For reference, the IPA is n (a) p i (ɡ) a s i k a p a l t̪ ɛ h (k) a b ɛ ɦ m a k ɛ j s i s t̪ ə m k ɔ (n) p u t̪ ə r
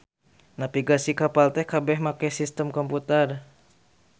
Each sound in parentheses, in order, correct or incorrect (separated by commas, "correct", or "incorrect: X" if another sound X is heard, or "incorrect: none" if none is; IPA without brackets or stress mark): correct, correct, correct, incorrect: m